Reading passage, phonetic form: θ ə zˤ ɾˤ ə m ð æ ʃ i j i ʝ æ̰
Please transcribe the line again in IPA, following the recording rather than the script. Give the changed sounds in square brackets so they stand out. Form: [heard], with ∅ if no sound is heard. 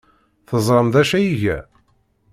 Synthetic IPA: θ ə zˤ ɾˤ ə m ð æ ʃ [æ] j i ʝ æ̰